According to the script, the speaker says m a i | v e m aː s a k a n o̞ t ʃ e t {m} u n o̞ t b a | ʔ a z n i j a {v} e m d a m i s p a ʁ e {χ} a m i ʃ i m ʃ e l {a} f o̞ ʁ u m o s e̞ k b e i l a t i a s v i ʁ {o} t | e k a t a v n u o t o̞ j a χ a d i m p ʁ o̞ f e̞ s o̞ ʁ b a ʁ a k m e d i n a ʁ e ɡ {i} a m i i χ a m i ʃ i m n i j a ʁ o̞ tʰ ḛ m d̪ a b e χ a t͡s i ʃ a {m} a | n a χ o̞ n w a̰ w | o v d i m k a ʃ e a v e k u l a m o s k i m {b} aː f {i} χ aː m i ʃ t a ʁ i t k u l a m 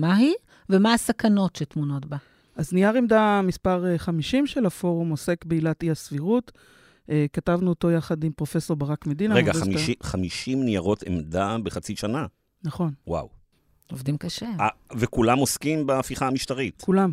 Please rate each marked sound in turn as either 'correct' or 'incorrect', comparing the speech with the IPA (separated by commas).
correct, incorrect, correct, correct, incorrect, incorrect, incorrect, correct, correct